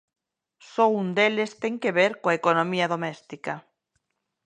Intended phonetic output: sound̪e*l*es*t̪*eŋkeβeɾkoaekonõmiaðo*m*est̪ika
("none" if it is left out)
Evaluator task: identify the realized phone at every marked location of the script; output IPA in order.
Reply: l, t̪, m

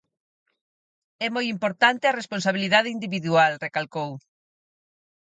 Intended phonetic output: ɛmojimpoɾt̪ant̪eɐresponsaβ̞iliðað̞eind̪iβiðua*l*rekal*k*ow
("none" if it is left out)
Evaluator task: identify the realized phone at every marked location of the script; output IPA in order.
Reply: l, k

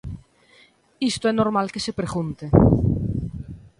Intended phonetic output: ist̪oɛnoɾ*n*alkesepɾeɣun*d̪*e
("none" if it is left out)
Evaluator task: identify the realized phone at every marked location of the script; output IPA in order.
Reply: m, t̪

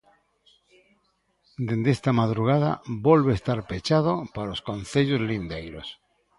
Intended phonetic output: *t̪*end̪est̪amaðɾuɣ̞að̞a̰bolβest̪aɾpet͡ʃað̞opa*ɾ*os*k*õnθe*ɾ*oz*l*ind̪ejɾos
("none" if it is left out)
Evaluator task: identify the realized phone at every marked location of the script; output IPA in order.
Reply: d̪, ɾ, k, ʎ, l

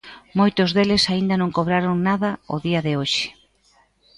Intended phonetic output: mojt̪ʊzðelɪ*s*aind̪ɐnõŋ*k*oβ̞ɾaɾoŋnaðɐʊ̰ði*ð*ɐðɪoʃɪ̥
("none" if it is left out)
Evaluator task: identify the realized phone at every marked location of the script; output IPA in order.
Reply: s, k, none

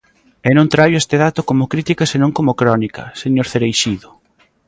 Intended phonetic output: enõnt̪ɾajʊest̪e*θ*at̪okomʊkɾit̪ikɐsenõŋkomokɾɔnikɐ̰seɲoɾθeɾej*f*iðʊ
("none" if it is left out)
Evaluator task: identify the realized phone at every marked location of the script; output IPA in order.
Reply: ð, ʃ

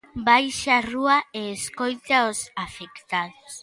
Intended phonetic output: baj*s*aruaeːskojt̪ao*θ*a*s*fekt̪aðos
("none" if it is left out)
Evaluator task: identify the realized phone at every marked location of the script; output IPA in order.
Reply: ʃ, s, none

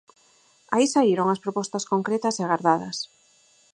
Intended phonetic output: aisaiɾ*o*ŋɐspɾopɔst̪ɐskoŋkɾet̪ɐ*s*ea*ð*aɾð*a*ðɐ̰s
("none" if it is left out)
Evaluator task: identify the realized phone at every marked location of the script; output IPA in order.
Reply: o, s, ɣ, a

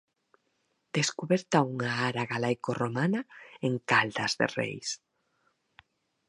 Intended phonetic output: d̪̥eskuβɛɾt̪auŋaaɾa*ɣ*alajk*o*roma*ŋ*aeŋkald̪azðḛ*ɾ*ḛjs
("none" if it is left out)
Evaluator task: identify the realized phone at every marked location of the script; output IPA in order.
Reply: ɣ, o, n, r

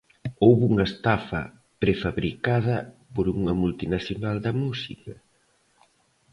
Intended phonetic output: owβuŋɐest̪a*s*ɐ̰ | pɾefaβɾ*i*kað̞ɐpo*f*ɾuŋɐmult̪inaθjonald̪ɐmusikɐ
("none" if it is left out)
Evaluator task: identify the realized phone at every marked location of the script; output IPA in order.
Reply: f, i, none

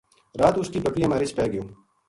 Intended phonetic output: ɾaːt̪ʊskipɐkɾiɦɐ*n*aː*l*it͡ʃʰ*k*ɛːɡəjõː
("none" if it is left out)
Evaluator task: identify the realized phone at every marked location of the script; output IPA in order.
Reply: m, ɾ, p

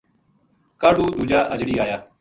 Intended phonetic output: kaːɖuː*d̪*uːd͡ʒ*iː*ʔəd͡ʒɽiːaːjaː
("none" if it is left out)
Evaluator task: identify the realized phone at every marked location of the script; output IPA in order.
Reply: d̪, aː

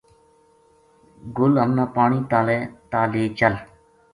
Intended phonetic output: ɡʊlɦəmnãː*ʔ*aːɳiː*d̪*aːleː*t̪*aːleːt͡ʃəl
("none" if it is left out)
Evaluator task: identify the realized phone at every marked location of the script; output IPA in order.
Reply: p, t̪, t̪

